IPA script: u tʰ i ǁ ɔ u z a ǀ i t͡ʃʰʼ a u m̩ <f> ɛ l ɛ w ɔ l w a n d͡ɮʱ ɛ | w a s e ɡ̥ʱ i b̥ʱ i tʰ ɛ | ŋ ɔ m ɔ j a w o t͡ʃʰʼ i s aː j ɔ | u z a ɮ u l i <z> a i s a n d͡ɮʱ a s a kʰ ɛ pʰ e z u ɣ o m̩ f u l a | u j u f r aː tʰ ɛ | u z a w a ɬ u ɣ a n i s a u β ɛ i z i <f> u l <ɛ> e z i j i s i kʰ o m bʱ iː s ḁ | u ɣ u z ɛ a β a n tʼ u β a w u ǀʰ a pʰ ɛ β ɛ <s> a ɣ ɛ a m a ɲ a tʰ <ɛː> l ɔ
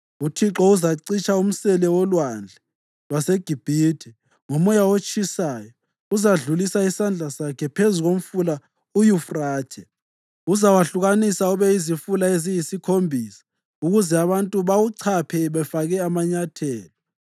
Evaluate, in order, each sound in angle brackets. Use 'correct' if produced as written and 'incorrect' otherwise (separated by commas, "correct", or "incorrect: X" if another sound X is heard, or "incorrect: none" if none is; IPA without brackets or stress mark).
incorrect: s, incorrect: s, correct, incorrect: a, incorrect: f, correct